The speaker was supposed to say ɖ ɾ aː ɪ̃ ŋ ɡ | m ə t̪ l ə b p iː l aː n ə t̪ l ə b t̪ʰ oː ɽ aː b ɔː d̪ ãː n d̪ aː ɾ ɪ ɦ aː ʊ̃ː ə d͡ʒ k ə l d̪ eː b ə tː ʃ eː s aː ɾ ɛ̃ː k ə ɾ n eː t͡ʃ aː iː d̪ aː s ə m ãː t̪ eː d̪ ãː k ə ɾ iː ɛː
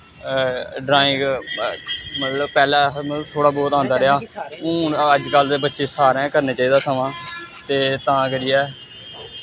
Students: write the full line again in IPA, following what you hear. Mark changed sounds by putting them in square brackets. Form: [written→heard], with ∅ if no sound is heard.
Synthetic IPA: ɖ ɾ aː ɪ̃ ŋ ɡ | m ə t̪ l ə b p [iː→ɛː] l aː [n→m] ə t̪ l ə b t̪ʰ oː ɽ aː b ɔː [d̪→t̪] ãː n d̪ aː ɾ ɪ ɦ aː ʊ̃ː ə d͡ʒ k ə l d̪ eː b ə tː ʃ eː s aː ɾ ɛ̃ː k ə ɾ n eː t͡ʃ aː iː d̪ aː s ə m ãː t̪ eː [d̪→t̪] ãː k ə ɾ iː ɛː